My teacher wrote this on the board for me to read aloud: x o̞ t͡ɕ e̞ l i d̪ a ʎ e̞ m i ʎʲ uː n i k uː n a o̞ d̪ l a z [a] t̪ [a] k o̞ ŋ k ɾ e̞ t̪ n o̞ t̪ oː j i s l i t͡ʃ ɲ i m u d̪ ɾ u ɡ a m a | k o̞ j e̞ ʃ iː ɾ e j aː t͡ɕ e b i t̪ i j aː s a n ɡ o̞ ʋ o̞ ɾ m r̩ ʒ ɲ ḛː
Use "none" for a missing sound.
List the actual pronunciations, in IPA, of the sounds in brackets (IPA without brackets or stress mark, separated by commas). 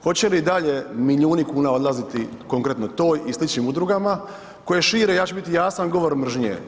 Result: i, i